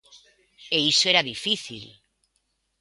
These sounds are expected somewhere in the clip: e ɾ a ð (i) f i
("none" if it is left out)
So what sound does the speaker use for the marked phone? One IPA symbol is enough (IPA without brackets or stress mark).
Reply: i